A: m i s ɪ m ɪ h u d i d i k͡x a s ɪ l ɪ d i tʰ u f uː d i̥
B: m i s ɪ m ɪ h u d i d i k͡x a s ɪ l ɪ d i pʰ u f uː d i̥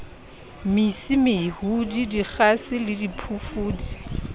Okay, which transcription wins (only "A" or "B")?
B